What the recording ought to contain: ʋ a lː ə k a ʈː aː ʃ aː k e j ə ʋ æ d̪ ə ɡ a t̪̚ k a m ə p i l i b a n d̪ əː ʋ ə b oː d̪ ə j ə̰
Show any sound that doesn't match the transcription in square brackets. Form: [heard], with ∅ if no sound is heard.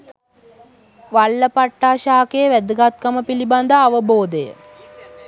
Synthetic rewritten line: ʋ a lː ə [p] a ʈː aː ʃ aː k e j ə ʋ æ d̪ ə ɡ a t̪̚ k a m ə p i l i b a n d̪ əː ʋ ə b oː d̪ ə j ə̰